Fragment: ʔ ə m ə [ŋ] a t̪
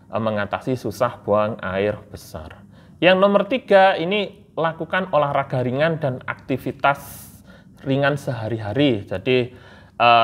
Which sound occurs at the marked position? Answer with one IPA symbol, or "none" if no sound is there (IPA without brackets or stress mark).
ŋ